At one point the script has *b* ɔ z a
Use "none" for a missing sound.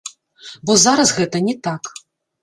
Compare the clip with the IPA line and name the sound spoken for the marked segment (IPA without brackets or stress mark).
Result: b